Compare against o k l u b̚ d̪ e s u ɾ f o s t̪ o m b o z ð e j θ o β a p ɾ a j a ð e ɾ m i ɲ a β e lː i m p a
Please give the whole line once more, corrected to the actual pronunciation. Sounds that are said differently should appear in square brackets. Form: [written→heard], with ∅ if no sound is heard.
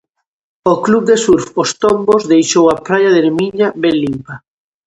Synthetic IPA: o k l u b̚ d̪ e s u ɾ f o s t̪ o m b o z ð e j [θ→ʃ] o [β→w] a p ɾ a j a ð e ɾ m i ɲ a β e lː i m p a